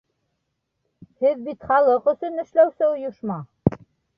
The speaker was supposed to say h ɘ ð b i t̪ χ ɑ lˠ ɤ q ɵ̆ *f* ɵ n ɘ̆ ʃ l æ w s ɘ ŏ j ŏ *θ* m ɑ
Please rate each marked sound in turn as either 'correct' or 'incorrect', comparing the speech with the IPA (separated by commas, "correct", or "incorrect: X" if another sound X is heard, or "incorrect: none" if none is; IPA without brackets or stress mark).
incorrect: s, incorrect: ʃ